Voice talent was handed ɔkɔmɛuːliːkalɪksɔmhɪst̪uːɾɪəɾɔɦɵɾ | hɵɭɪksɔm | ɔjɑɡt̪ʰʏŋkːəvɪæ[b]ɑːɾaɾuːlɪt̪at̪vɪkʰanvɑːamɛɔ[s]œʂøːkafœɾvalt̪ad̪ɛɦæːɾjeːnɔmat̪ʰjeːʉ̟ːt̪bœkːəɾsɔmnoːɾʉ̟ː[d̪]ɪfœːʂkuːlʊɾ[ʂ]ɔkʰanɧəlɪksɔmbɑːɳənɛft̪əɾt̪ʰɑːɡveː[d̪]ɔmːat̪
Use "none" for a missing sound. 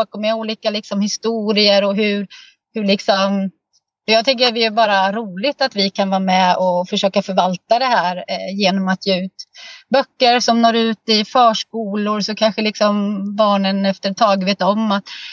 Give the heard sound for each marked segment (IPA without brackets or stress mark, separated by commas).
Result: b, f, t̪, s, t̪